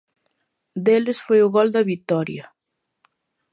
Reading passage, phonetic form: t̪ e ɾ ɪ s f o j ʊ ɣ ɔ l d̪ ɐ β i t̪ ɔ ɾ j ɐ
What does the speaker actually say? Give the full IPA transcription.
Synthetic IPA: d̪ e l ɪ s f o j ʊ ɣ ɔ l d̪ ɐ β i t̪ ɔ ɾ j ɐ